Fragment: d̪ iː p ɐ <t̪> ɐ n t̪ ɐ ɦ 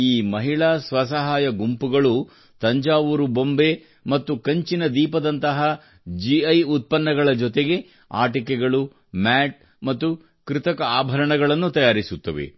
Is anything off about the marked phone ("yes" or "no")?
yes